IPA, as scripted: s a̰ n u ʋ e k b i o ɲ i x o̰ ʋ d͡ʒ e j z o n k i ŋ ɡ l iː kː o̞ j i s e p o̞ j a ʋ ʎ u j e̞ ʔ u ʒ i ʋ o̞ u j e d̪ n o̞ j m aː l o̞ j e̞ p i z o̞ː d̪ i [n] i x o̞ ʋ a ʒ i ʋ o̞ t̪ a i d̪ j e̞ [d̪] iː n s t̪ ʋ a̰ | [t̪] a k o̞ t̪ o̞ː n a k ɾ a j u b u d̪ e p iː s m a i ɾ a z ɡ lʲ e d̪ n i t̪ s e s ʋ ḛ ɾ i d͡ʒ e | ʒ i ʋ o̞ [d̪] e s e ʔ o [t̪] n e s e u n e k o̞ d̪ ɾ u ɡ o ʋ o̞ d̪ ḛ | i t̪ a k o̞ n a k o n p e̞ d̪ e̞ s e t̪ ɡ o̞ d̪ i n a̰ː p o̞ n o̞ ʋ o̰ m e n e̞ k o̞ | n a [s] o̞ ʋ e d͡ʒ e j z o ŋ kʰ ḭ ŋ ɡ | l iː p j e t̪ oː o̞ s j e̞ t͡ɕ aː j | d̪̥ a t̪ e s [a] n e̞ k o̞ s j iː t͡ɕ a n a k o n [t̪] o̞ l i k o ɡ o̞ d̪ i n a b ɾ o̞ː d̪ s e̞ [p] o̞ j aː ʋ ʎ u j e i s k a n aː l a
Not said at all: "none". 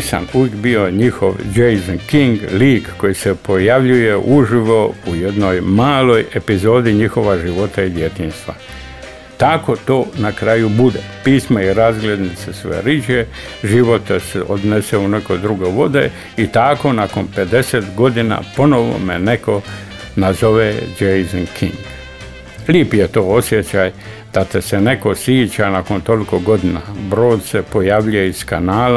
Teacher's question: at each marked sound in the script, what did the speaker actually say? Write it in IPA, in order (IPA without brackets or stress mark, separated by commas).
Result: ɲ, t̪, t̪, t̪, d̪, z, e, t̪, p